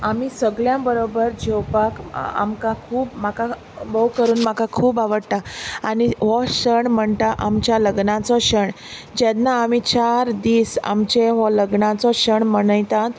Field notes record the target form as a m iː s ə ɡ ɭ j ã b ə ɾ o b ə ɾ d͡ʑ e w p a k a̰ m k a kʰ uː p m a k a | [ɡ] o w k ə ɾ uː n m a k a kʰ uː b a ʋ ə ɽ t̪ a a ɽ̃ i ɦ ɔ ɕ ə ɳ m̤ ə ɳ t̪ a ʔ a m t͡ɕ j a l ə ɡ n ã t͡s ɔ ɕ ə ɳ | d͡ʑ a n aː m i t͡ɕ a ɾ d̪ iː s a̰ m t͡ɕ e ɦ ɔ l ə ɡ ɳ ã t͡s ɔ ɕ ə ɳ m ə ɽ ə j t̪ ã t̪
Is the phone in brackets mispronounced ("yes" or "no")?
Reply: yes